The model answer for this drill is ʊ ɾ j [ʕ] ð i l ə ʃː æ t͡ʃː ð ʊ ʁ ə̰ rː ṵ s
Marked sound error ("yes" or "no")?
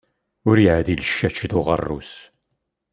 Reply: no